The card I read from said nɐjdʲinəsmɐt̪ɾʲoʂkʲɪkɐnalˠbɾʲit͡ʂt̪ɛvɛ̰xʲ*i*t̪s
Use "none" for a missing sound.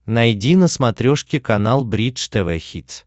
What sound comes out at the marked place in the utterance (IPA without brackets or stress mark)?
i